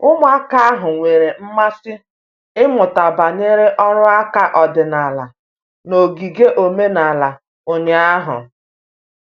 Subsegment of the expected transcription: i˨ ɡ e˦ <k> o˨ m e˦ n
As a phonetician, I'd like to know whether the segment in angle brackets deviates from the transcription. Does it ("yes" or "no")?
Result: yes